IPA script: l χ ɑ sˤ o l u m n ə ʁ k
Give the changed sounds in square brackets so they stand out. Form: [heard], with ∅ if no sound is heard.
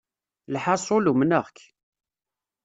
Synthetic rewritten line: l [ħ] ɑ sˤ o l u m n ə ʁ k